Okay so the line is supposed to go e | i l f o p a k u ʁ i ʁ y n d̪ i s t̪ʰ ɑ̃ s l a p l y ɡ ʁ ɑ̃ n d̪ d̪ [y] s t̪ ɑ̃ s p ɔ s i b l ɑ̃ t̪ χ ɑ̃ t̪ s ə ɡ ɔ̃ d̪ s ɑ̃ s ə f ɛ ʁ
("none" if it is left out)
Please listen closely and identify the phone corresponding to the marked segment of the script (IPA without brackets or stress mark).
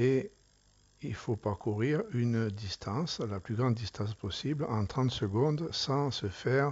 i